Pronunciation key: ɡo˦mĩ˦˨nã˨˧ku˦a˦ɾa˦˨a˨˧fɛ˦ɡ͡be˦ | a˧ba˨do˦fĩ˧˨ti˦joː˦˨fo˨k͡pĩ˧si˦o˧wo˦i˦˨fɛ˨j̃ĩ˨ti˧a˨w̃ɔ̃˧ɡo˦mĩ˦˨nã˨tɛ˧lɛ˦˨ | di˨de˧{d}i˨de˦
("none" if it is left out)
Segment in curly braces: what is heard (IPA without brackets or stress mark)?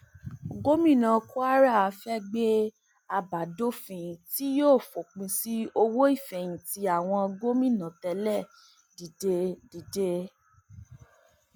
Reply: d